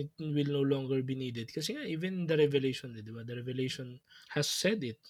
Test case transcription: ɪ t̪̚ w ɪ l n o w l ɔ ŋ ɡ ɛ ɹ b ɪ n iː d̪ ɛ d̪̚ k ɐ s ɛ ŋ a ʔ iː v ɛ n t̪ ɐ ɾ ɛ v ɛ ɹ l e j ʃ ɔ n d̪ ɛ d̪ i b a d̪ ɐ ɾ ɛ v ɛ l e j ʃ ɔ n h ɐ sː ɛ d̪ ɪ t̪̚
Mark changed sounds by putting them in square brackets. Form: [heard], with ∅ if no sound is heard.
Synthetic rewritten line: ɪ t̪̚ w ɪ l n o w l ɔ ŋ ɡ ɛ ɹ b [i] n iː d̪ ɛ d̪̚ k ɐ s ɛ ŋ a ʔ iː v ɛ n [d̪] ɐ ɾ ɛ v ɛ [∅] l e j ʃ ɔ n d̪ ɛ d̪ [ɪ] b a d̪ ɐ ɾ ɛ v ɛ l e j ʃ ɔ n h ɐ sː ɛ d̪ ɪ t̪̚